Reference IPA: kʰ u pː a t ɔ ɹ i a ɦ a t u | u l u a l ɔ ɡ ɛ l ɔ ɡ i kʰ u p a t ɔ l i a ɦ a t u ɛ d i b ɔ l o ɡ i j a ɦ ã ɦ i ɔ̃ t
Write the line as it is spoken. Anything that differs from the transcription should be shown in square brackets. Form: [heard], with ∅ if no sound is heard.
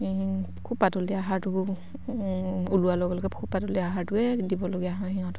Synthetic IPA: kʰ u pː a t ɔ [l] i a ɦ a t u | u l u a l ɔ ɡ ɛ l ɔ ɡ [ɛ] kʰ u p a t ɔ l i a ɦ a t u ɛ d i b ɔ l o ɡ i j a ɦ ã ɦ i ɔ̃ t